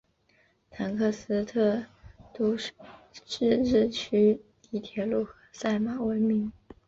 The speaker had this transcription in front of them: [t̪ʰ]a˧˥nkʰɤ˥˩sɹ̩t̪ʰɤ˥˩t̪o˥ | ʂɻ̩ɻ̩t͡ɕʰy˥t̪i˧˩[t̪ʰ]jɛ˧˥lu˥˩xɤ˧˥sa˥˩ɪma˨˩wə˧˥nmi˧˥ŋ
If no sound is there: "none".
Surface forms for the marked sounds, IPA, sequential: t̪ʰ, t̪ʰ

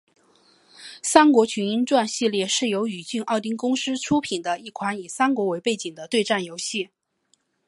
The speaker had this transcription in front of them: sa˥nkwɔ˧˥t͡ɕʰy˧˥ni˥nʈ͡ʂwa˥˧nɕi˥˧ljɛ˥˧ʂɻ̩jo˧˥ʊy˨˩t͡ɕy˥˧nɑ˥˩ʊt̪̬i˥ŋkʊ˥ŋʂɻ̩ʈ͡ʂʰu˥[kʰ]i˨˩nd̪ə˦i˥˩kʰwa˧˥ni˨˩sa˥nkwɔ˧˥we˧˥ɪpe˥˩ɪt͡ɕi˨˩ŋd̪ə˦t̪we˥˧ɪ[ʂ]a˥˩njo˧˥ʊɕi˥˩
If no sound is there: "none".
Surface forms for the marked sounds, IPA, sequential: pʰ, ʈ͡ʂ

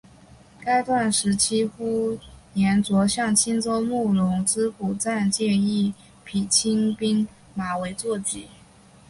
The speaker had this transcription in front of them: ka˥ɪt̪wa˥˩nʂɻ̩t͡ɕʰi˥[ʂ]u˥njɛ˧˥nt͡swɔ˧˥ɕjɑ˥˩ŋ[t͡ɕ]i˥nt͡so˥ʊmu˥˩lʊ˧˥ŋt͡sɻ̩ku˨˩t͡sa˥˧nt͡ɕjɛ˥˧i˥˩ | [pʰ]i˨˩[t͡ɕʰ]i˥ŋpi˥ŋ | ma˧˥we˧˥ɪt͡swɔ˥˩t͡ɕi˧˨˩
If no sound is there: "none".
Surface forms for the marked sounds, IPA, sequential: x, t͡ɕʰ, pʰ, t͡ɕʰ

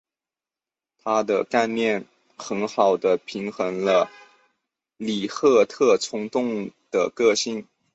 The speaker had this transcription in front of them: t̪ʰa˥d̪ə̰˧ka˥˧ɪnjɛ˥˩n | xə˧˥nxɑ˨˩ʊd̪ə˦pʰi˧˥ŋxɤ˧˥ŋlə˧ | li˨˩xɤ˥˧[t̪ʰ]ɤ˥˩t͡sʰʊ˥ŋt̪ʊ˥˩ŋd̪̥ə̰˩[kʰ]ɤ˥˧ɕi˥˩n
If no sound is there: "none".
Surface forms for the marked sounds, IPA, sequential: t̪ʰ, k

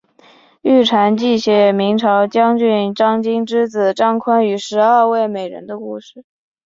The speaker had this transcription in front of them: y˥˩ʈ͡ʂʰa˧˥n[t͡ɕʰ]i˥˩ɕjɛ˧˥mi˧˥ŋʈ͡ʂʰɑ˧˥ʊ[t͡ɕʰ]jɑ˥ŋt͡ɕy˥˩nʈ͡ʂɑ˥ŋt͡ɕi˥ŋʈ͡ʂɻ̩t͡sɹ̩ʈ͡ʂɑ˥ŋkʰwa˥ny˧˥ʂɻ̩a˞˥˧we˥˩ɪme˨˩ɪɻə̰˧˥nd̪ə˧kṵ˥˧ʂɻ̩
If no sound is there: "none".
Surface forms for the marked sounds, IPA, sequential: t͡ɕ, t͡ɕ

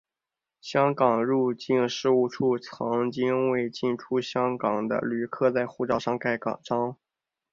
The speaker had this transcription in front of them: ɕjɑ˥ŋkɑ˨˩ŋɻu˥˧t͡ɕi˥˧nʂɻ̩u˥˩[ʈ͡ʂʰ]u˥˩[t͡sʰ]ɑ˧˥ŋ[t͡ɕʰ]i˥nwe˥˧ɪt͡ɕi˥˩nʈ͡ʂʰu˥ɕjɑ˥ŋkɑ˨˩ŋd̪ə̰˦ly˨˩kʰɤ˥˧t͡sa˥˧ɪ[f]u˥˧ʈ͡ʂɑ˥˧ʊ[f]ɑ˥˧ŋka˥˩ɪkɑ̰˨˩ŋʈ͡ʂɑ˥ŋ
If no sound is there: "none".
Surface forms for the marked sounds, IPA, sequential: ʈ͡ʂʰ, t͡sʰ, t͡ɕ, x, ʂ

